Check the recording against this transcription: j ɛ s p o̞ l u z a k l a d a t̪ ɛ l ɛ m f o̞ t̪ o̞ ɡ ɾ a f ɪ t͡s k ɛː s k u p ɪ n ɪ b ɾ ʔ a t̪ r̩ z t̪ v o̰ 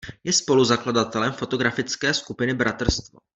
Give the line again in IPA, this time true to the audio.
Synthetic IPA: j ɛ s p o̞ l u z a k l a d a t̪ ɛ l ɛ m f o̞ t̪ o̞ ɡ ɾ a f ɪ t͡s k ɛː s k u p ɪ n ɪ b ɾ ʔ a t̪ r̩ s t̪ v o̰